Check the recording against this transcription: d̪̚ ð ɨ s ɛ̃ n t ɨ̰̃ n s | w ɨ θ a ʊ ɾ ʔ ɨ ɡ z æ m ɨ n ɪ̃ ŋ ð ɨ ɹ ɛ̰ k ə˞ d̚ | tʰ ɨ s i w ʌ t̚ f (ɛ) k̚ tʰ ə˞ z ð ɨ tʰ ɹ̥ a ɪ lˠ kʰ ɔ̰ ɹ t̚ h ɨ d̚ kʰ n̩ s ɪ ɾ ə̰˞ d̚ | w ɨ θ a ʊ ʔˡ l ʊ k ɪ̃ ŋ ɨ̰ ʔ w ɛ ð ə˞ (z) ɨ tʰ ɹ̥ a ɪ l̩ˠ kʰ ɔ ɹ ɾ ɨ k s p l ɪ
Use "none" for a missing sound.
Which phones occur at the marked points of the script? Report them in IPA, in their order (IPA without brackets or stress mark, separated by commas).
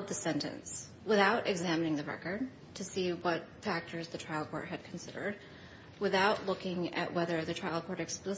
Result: æ, ð